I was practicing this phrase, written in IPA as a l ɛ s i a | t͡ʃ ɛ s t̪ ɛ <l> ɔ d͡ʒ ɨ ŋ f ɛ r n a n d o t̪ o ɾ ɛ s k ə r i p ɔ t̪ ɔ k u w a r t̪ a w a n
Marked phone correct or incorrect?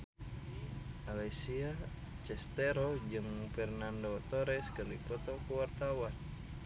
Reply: incorrect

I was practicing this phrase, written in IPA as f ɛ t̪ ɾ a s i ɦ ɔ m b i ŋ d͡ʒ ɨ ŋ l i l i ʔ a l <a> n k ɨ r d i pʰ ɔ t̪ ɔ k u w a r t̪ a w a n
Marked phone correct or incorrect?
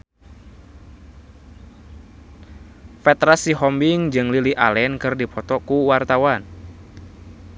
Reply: incorrect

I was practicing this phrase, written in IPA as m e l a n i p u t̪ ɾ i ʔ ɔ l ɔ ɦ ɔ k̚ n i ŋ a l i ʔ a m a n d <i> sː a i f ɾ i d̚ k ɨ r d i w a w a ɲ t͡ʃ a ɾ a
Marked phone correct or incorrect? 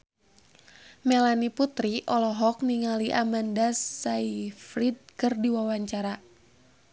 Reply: incorrect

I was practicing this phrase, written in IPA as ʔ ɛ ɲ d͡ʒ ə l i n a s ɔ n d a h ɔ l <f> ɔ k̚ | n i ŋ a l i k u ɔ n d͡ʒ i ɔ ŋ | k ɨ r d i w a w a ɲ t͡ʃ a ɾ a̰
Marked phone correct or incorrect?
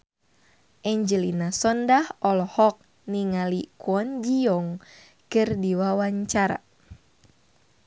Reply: incorrect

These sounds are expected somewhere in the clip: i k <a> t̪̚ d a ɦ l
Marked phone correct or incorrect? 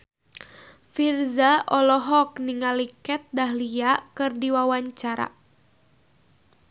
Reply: incorrect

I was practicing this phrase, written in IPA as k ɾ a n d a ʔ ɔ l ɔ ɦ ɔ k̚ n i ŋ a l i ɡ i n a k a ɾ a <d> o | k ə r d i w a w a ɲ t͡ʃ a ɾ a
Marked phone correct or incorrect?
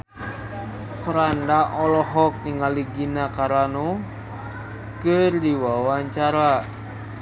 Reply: incorrect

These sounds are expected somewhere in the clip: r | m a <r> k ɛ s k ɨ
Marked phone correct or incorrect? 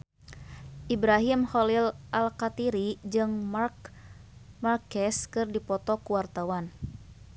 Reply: correct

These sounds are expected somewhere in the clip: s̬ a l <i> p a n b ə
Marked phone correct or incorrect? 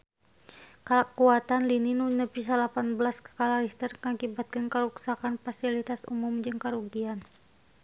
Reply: incorrect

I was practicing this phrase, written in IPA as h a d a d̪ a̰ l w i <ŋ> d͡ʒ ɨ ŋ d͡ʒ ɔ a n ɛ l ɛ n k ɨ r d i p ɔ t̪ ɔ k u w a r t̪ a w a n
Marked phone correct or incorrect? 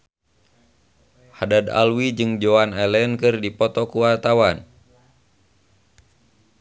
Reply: incorrect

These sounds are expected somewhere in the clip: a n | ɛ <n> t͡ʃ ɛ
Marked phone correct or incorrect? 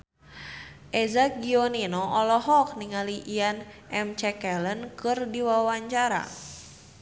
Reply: incorrect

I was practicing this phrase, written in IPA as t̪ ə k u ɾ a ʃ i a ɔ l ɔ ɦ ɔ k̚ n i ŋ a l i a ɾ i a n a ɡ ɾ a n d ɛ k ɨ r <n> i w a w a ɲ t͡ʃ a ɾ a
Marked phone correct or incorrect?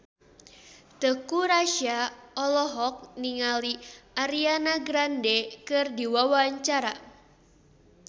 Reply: incorrect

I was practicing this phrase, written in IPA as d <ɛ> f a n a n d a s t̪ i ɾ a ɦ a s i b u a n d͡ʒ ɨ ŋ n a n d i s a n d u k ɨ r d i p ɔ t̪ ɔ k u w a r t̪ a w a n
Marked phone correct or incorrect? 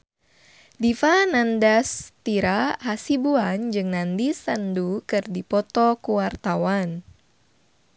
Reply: incorrect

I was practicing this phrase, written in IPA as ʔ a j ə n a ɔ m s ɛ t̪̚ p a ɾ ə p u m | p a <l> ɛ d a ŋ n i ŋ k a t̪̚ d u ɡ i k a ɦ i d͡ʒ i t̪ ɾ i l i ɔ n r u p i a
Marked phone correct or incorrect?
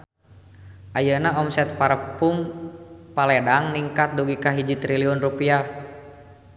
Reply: correct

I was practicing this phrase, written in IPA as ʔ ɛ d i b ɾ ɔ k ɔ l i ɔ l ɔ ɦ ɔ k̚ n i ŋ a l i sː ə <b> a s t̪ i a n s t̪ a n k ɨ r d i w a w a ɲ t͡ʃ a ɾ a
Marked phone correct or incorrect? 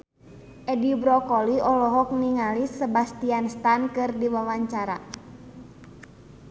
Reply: correct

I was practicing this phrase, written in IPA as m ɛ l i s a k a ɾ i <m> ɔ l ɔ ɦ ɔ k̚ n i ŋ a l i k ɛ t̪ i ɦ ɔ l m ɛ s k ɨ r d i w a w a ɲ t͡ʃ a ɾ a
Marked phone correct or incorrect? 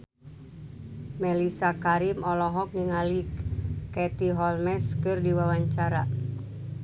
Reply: correct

